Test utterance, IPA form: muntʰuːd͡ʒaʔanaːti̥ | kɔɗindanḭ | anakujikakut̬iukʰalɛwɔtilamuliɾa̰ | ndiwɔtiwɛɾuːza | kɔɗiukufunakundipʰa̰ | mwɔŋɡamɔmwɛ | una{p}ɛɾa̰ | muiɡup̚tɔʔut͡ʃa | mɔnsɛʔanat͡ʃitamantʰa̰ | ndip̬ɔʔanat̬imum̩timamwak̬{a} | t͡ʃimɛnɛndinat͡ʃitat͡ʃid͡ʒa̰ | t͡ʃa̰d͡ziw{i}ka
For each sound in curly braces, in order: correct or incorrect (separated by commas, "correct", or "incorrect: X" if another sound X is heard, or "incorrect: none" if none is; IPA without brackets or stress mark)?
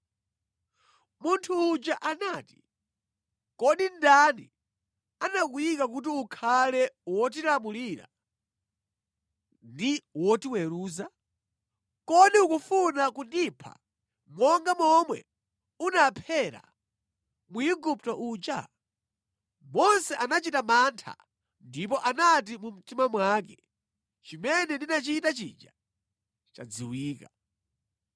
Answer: incorrect: pʰ, incorrect: ɛ, incorrect: iː